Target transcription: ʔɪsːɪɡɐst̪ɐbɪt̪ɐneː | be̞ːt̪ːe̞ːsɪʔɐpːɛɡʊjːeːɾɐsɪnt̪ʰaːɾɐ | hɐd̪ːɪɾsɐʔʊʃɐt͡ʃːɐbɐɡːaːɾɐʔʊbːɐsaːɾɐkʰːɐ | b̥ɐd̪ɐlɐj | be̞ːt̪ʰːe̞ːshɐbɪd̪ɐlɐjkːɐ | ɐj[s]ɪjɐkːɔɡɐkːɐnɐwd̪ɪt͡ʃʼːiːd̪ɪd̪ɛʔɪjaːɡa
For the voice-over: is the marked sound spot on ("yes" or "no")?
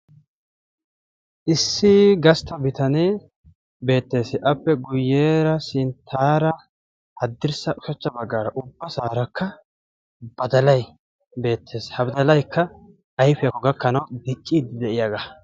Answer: no